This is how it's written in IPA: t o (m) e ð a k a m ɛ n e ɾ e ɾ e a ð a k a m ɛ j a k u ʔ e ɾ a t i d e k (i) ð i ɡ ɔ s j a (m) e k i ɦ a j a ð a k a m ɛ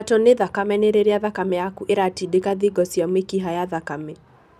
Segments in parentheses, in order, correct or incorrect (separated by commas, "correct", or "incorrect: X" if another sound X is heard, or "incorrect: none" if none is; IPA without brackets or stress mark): incorrect: n, incorrect: a, correct